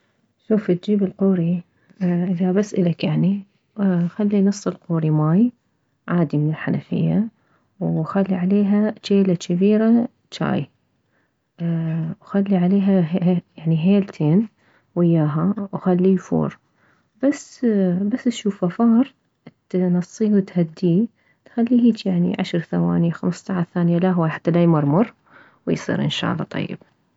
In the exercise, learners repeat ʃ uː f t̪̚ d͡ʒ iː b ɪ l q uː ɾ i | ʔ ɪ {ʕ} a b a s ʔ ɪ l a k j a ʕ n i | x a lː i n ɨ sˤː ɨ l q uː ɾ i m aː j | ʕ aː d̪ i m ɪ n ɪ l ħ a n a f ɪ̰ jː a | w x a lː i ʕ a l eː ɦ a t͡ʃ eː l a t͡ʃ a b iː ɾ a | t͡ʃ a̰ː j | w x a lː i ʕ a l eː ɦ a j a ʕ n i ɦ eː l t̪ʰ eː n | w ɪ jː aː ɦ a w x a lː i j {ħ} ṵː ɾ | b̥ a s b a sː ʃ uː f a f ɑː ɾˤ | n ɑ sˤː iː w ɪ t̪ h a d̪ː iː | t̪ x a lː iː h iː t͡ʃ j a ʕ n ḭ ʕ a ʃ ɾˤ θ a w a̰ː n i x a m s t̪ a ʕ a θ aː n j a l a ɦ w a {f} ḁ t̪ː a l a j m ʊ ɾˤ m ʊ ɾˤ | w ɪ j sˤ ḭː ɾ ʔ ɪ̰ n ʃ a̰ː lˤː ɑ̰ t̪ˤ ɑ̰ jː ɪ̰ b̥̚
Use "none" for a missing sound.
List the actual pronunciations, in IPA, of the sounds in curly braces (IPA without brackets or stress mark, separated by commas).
ð, f, ħ